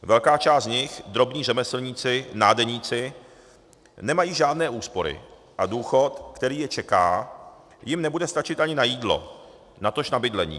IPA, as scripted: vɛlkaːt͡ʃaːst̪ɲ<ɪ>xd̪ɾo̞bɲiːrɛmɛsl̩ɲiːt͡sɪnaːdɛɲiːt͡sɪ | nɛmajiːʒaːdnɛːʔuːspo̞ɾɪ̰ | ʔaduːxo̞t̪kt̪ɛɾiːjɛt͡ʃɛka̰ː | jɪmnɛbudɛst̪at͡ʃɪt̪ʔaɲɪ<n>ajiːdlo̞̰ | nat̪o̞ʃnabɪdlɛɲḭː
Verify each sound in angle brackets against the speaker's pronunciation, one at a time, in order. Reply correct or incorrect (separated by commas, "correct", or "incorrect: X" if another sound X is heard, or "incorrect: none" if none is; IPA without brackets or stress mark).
correct, correct